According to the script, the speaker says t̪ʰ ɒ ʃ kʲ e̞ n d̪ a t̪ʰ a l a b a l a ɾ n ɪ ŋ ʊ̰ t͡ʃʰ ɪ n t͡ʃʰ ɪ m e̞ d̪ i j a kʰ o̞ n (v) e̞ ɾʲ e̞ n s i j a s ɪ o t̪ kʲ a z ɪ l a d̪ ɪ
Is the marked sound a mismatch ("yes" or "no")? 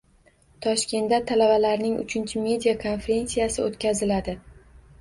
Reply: yes